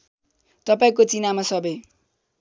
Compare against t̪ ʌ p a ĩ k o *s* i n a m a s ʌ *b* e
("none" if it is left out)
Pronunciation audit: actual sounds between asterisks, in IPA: t͡s, b

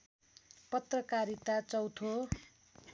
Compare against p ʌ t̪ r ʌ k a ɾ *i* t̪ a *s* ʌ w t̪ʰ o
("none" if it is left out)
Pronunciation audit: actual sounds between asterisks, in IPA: i, t͡s

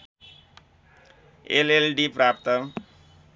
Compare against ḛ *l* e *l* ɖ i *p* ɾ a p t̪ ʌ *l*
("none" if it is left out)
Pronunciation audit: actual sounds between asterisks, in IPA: l, l, p, none

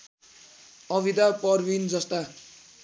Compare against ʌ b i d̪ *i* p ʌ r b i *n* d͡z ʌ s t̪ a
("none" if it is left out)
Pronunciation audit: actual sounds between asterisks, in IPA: a, n

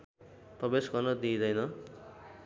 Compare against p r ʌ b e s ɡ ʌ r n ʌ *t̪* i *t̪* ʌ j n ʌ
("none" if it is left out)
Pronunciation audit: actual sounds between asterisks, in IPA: d̪, d̪

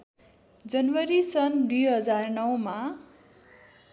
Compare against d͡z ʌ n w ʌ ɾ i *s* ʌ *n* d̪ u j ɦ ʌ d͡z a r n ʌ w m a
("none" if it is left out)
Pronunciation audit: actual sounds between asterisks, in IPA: s, n

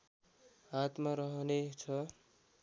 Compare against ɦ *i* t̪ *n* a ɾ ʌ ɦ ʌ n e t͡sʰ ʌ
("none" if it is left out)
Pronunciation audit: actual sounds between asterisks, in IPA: a, m

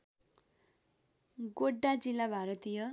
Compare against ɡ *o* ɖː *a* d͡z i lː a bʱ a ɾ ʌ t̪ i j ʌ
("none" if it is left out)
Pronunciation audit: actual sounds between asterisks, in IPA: o, a

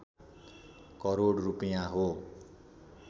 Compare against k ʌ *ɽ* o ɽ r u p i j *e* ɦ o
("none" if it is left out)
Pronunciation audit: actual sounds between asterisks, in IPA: ɾ, a

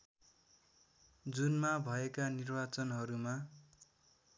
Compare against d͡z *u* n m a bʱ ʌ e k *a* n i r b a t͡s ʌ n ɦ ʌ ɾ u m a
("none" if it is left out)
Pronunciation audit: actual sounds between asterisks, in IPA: u, a

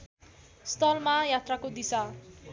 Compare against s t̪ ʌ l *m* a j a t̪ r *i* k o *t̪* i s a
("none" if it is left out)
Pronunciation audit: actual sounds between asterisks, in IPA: m, a, d̪

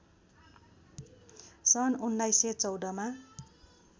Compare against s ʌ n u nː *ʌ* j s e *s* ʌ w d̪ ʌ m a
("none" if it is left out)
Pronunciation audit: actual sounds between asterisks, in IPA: a, t͡s

